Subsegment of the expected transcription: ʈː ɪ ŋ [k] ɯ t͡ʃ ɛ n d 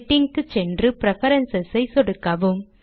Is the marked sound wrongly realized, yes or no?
no